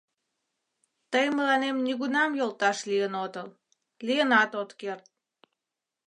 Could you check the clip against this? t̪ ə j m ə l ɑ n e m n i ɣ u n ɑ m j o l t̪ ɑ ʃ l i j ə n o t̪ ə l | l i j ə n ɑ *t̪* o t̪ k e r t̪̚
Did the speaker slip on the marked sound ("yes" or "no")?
no